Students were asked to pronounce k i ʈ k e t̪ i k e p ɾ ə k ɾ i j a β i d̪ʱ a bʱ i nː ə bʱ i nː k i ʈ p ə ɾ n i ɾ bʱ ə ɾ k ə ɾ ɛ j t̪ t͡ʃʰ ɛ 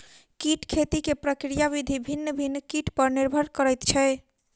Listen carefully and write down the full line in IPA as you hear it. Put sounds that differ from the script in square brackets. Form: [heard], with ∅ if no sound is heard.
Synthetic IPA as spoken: k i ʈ [kʰ] e t̪ i k e p ɾ ə k ɾ i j a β i d̪ʱ [i] bʱ i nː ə bʱ i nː k i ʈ p ə ɾ n i ɾ bʱ ə ɾ k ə ɾ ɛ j t̪ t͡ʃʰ ɛ